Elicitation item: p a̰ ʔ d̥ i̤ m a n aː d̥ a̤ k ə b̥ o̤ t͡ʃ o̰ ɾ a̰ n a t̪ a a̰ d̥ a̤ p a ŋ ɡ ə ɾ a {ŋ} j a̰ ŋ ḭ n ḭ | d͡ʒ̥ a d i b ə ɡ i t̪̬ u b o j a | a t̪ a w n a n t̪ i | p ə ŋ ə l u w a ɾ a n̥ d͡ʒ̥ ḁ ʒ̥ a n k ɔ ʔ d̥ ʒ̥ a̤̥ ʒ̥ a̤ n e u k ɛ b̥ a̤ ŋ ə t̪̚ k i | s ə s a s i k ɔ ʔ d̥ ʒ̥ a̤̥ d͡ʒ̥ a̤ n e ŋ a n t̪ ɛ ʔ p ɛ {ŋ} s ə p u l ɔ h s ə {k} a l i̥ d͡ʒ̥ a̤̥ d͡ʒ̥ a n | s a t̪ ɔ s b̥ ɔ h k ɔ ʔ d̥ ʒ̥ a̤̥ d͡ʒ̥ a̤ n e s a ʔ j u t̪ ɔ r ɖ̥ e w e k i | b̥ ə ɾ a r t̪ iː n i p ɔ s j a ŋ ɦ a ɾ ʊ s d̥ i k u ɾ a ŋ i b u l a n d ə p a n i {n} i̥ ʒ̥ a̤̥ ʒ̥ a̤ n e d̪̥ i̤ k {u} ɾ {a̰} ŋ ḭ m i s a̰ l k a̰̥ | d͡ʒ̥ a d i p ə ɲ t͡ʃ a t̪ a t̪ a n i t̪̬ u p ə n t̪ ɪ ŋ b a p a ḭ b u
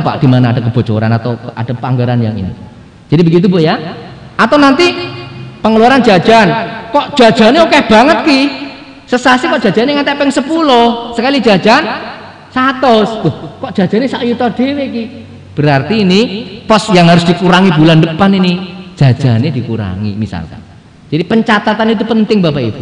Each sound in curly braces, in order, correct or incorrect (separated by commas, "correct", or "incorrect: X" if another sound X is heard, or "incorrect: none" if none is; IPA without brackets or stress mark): incorrect: n, correct, correct, correct, correct, correct